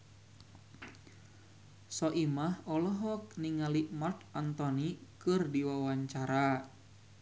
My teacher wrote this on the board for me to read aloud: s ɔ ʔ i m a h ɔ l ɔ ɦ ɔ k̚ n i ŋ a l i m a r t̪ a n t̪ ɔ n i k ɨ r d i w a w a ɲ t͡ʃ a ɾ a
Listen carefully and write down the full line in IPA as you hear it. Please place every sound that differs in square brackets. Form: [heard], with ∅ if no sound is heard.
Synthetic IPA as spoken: s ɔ ʔ i m a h ɔ l ɔ ɦ ɔ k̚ n i ŋ a l i m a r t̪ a n t̪ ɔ n i k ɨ r d i w a w a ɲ t͡ʃ a ɾ a